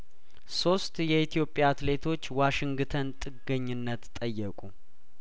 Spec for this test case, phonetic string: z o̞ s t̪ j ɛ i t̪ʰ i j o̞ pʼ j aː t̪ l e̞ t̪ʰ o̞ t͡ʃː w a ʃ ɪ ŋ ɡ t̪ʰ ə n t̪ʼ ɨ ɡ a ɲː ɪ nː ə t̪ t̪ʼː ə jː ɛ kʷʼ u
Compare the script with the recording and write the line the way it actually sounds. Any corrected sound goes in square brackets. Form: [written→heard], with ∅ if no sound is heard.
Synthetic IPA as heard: [z→s] o̞ s t̪ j ɛ i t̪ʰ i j o̞ pʼ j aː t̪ l e̞ t̪ʰ o̞ t͡ʃː w a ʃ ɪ ŋ ɡ t̪ʰ ə n t̪ʼ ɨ ɡ [a→ə] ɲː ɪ nː ə t̪ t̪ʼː ə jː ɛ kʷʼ u